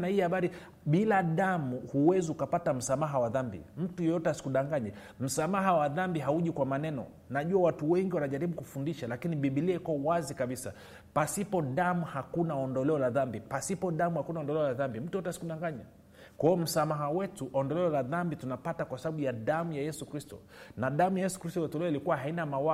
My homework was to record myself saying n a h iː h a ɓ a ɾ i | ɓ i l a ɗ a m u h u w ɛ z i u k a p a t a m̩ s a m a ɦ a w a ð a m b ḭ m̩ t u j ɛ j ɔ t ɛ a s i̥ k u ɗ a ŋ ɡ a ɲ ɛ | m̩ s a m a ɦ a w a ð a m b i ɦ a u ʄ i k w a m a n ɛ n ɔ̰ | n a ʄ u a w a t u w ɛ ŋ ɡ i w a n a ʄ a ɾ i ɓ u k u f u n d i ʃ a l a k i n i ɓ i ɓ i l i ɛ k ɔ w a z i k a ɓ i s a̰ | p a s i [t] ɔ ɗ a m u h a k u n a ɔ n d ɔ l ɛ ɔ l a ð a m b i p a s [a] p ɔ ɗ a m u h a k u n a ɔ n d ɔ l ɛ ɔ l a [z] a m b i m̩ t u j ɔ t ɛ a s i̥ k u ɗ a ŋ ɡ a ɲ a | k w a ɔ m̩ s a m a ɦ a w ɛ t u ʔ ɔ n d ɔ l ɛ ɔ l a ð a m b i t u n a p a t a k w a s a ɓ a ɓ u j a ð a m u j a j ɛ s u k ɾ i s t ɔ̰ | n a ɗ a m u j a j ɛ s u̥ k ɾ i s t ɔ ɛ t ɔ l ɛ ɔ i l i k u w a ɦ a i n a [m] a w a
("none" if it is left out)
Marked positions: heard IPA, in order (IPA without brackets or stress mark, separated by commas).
p, i, ð, m